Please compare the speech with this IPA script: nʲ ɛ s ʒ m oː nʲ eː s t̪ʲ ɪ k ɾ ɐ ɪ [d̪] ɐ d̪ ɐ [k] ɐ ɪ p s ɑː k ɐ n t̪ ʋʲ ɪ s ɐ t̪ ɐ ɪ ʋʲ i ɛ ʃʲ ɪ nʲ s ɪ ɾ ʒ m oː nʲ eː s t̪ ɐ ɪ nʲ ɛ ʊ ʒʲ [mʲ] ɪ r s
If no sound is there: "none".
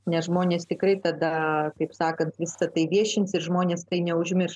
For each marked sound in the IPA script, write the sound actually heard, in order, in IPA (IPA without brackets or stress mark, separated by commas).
t̪, k, mʲ